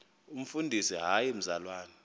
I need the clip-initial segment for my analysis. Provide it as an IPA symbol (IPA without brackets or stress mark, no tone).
u